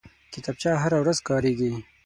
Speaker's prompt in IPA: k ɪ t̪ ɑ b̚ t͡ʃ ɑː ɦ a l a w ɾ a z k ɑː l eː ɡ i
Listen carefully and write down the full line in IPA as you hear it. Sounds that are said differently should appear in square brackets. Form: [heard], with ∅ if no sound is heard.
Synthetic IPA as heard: k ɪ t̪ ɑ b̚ t͡ʃ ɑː ɦ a [ɾ] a w ɾ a z k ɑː [ɾ] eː ɡ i